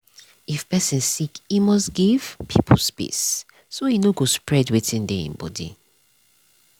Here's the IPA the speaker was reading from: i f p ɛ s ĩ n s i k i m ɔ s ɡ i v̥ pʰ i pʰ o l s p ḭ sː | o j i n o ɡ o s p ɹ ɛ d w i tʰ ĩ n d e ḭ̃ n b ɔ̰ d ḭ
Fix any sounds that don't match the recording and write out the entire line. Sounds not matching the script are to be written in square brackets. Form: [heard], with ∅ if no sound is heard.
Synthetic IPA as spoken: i f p ɛ s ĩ n s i k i m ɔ s ɡ i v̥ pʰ i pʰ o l s p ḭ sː | o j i n o ɡ o s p ɹ ɛ d w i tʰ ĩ n d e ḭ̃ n b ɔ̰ d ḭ